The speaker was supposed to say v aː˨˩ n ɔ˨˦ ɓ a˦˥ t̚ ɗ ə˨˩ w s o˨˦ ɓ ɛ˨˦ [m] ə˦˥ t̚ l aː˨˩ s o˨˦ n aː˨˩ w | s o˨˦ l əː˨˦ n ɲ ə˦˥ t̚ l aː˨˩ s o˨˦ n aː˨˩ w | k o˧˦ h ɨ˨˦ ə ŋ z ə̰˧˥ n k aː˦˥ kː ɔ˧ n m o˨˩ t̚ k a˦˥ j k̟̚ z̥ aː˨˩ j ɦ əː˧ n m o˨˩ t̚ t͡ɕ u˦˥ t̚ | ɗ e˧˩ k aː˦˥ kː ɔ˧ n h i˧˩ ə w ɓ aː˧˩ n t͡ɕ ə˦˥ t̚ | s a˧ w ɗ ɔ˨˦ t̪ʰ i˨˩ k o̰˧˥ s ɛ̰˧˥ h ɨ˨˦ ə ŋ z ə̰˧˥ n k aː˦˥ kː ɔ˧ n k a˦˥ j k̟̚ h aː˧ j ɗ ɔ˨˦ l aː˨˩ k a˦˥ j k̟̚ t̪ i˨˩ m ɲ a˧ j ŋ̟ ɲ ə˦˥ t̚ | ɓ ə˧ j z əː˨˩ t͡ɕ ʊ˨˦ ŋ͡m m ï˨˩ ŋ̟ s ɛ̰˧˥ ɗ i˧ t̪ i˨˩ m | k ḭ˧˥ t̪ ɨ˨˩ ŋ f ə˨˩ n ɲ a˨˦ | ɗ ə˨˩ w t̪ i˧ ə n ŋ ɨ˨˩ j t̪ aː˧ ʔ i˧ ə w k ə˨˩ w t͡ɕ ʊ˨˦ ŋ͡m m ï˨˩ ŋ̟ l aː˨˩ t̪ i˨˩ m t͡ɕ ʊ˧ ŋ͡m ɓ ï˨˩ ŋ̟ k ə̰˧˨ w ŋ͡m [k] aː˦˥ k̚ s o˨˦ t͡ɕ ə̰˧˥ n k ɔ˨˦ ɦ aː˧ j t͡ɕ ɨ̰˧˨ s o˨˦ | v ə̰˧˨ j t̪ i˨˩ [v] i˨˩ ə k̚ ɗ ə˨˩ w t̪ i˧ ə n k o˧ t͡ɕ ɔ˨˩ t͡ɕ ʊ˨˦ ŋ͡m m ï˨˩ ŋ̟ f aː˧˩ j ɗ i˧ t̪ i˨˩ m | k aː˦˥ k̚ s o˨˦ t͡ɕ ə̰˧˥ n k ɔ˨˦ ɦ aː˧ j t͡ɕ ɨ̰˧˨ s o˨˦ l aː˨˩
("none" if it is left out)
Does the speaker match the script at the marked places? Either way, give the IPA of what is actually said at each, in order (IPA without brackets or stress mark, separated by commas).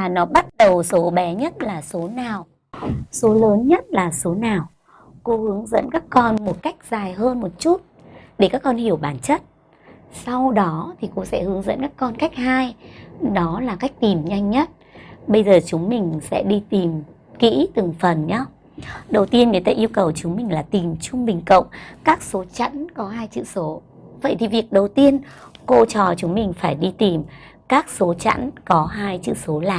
ɲ, k, v